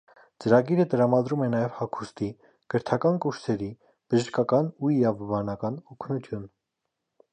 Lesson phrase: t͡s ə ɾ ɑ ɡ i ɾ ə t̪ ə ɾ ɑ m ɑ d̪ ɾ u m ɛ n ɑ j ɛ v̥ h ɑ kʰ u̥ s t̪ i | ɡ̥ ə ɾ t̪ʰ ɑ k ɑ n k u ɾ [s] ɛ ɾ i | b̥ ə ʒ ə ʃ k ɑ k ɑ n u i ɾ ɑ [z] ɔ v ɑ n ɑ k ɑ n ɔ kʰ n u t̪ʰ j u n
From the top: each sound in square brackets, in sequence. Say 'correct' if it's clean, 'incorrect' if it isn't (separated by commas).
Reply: correct, incorrect